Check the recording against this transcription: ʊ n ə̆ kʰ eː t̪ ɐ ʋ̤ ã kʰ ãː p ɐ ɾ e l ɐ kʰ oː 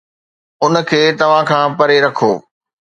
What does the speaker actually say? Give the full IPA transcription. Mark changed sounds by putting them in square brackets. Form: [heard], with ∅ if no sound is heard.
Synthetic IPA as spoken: ʊ n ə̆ kʰ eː t̪ ɐ ʋ̤ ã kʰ ãː p ɐ ɾ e [ɾ] ɐ kʰ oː

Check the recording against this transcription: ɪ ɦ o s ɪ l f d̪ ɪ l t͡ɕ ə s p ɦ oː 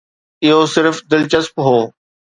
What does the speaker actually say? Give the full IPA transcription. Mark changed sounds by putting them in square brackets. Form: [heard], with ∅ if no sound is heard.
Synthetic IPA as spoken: ɪ ɦ o s ɪ [ɾ] f d̪ ɪ l t͡ɕ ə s p ɦ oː

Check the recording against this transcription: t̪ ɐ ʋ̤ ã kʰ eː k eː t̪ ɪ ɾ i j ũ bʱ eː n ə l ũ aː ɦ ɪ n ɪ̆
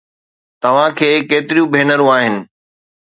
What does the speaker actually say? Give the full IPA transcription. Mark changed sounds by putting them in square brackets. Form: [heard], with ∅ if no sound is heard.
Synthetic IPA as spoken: t̪ ɐ ʋ̤ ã kʰ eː k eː t̪ ɪ ɾ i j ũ bʱ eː n ə [ɾ] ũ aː ɦ ɪ n ɪ̆

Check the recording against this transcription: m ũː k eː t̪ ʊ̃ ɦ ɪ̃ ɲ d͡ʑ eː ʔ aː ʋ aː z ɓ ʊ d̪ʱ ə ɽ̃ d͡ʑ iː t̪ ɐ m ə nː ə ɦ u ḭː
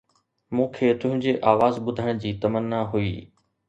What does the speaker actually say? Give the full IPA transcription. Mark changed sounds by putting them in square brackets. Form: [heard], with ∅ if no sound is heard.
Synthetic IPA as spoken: m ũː [kʰ] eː t̪ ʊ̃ ɦ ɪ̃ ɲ d͡ʑ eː ʔ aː ʋ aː z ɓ ʊ d̪ʱ ə ɽ̃ d͡ʑ iː t̪ ɐ m ə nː [a] ɦ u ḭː

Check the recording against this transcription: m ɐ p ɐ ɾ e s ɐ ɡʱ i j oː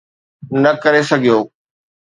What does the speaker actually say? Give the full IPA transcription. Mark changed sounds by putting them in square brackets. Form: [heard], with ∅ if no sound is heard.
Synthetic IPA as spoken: [n] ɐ [k] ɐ ɾ e s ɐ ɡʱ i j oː

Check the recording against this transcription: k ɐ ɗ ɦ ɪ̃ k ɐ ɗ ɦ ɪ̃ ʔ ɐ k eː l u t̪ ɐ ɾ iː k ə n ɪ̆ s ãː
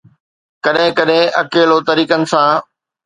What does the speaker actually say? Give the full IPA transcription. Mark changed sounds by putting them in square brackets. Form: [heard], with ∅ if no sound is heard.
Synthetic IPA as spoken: k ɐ ɗ ɦ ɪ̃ k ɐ ɗ ɦ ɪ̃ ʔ ɐ k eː l [o] t̪ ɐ ɾ iː k ə n ɪ̆ s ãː

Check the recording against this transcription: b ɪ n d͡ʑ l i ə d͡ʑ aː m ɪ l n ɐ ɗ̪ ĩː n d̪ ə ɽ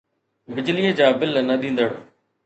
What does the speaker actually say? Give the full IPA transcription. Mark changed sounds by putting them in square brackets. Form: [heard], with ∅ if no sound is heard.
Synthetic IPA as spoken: b ɪ [∅] d͡ʑ l i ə d͡ʑ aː [b] ɪ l n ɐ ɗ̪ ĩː n d̪ ə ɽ

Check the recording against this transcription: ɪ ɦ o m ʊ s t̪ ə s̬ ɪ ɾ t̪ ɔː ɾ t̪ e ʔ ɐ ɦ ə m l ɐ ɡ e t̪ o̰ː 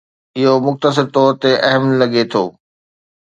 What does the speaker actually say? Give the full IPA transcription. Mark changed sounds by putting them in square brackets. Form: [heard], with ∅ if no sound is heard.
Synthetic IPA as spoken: ɪ ɦ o m ʊ [x] t̪ ə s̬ ɪ ɾ t̪ ɔː ɾ t̪ e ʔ ɐ ɦ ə m l ɐ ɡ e [t̪ʰ] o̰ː

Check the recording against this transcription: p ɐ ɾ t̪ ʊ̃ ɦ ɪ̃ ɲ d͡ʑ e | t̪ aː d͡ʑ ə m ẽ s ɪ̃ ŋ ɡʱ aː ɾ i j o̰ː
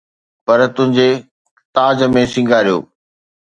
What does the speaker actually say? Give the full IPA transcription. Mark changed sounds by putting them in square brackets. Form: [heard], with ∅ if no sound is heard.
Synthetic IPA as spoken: p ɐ ɾ t̪ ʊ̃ ɦ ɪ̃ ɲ d͡ʑ e | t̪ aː d͡ʑ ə m ẽ s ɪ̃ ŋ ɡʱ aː ɾ i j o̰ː

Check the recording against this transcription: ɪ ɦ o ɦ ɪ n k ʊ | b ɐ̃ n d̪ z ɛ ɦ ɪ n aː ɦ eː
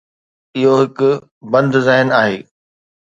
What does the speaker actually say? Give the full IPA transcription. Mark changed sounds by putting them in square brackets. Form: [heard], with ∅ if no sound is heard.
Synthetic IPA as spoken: ɪ ɦ o ɦ ɪ [∅] k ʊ | b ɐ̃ n d̪ z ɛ ɦ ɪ n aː ɦ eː

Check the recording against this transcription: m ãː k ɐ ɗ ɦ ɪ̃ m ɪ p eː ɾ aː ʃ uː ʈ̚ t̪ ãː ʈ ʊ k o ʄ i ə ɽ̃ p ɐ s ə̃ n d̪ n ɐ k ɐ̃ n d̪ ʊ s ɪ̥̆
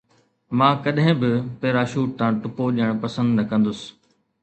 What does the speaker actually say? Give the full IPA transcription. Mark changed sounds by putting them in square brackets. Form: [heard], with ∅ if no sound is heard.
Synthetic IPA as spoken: m ãː k ɐ ɗ ɦ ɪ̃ [b] ɪ p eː ɾ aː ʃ uː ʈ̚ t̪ ãː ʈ ʊ [p] o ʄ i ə ɽ̃ p ɐ s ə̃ n d̪ n ɐ k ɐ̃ n d̪ ʊ s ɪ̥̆

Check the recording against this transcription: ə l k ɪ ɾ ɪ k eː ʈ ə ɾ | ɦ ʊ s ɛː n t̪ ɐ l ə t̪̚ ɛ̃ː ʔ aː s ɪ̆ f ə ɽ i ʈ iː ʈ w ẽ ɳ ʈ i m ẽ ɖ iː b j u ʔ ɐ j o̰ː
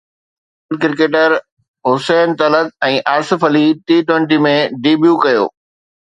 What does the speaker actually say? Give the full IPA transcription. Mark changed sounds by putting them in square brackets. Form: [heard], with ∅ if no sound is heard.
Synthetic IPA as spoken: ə l k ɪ ɾ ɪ k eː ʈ ə ɾ | ɦ ʊ s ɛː n t̪ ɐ l ə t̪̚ ɛ̃ː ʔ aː s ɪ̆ f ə [l] i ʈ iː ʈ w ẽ ɳ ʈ i m ẽ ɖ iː b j u [k] ɐ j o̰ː

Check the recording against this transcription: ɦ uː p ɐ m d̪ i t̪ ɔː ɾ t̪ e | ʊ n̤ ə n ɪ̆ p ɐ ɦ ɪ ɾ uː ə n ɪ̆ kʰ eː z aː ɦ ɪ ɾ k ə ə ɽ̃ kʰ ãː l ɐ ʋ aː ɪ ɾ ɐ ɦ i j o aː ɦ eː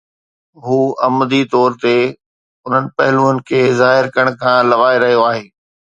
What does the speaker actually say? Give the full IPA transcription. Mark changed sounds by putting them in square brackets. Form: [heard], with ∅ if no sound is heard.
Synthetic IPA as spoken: ɦ uː [∅] ɐ m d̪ i t̪ ɔː ɾ t̪ e | ʊ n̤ ə n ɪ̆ p ɐ ɦ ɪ [l] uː ə n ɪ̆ kʰ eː z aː ɦ ɪ ɾ k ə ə ɽ̃ kʰ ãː l ɐ ʋ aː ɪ ɾ ɐ ɦ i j o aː ɦ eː

